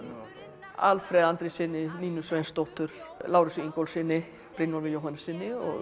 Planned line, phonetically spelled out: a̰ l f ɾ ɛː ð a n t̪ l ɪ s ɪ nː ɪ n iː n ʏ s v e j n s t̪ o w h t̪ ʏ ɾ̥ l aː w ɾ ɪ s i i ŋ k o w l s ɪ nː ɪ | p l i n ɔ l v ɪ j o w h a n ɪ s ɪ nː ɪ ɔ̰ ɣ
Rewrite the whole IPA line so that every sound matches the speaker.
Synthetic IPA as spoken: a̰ l f ɾ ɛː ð a n t̪ ɾ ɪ s ɪ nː ɪ n iː n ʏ s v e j n s t̪ o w h t̪ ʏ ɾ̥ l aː w ɾ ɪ s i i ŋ k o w l s ɪ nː ɪ | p ɾ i n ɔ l v ɪ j o w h a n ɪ s ɪ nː ɪ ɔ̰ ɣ